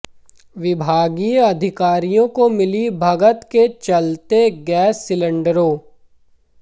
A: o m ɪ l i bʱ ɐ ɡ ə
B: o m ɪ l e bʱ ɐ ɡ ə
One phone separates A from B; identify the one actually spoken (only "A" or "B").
A